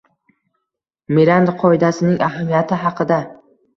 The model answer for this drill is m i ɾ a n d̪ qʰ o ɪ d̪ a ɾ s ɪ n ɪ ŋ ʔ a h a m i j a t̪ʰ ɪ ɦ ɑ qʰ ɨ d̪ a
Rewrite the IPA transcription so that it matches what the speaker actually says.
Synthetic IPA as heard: m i ɾ a n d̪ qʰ ɒ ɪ d̪ a s ɪ n ɪ ŋ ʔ a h a m i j a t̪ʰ ɪ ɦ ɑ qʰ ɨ d̪ a